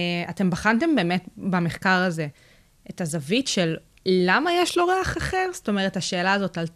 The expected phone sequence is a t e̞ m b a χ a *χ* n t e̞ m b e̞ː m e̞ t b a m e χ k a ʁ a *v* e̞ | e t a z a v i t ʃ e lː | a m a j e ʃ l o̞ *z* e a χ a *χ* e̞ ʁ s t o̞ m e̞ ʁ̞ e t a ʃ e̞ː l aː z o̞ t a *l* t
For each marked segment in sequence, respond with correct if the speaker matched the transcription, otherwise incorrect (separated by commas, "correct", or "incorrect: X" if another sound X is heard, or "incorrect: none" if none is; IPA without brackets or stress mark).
incorrect: none, incorrect: z, incorrect: ʁ, correct, correct